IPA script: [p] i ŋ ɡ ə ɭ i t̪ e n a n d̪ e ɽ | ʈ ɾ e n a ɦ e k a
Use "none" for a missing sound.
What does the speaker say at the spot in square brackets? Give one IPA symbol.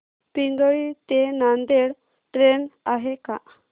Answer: p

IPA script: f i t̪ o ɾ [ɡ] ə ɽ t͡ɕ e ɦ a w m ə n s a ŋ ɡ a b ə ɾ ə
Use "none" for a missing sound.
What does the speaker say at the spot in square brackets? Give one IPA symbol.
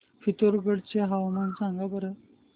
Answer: ɡ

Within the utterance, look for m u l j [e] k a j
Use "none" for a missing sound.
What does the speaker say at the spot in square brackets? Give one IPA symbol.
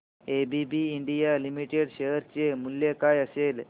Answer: e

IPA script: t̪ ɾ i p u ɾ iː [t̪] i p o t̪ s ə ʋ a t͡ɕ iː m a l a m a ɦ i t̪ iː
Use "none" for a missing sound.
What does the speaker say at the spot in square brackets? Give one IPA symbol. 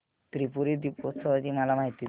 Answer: d̪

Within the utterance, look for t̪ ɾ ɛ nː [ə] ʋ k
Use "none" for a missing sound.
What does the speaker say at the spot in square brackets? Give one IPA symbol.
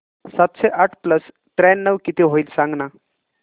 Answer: ə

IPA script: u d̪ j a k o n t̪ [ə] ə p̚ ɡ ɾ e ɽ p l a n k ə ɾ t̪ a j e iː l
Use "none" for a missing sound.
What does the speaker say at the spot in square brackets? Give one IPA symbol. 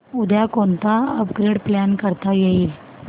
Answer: a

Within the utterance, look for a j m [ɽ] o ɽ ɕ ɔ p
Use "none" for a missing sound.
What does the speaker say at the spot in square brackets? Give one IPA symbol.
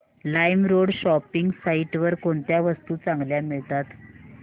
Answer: ɾ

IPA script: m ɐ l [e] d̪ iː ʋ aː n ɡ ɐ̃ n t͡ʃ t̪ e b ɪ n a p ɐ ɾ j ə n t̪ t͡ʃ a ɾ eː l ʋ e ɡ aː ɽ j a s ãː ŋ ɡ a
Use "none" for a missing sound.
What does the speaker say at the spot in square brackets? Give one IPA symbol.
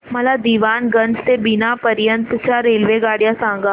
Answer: a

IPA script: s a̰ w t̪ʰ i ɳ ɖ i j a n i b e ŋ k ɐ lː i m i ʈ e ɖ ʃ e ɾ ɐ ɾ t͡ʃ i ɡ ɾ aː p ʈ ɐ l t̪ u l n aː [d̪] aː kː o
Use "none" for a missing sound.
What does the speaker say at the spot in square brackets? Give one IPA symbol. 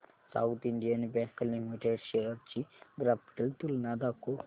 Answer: d̪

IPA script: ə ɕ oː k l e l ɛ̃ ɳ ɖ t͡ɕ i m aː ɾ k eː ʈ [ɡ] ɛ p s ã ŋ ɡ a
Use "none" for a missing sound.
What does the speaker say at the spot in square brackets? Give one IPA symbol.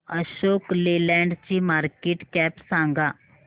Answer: k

